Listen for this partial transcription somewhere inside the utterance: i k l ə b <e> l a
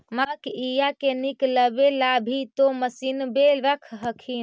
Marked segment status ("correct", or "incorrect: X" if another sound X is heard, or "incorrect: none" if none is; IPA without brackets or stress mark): correct